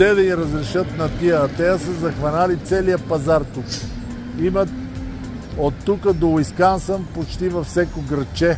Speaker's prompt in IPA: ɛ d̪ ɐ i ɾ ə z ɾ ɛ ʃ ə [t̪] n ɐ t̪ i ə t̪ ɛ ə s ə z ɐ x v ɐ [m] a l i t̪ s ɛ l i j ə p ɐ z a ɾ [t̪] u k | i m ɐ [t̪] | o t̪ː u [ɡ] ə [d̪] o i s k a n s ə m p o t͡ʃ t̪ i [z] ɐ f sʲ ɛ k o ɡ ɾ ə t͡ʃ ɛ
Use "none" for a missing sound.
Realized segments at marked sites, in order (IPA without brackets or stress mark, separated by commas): t̪, n, t̪, t̪, k, d̪, v